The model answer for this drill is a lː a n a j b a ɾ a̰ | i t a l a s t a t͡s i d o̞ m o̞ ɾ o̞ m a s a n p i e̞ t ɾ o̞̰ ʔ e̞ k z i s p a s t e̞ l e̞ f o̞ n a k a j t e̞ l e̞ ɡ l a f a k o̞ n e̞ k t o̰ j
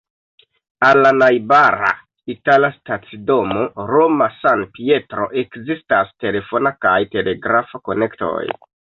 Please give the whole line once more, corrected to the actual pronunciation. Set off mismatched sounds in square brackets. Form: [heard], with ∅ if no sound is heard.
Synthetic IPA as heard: a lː a n a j b a ɾ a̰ | i t a l a s t a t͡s i d o̞ m o̞ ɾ o̞ m a s a n p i e̞ t ɾ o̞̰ ʔ e̞ k z i s [t] a s t e̞ l e̞ f o̞ n a k a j t e̞ l e̞ ɡ [ɾ] a f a k o̞ n e̞ k t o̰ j